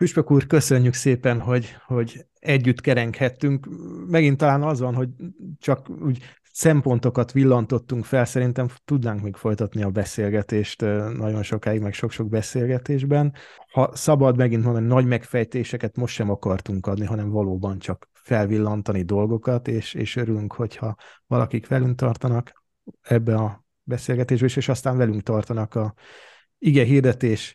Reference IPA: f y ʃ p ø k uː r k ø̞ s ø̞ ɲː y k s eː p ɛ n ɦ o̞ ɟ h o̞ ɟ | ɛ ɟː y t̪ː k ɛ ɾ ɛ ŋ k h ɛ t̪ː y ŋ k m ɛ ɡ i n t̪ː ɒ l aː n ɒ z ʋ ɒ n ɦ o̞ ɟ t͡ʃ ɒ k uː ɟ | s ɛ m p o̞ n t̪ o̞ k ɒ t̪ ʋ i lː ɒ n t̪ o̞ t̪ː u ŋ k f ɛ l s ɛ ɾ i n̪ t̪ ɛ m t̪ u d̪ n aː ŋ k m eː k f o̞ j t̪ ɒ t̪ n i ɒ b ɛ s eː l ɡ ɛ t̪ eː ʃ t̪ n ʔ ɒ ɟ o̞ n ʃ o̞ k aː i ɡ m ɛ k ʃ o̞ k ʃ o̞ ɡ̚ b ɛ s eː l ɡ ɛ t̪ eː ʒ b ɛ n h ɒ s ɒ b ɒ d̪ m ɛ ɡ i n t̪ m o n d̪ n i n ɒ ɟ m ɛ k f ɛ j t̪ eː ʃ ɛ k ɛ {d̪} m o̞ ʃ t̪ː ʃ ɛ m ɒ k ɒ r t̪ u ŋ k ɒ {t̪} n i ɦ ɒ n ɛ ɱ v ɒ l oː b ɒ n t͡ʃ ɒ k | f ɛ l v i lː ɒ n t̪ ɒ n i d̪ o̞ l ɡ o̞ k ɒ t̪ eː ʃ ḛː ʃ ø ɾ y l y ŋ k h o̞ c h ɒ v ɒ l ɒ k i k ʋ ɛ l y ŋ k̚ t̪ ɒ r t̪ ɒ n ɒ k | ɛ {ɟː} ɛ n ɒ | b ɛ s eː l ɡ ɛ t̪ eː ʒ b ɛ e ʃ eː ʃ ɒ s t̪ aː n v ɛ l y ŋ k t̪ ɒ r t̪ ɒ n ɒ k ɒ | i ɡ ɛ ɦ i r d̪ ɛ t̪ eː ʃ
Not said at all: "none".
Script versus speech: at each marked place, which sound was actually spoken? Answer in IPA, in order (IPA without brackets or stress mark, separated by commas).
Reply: t̪, d̪, bː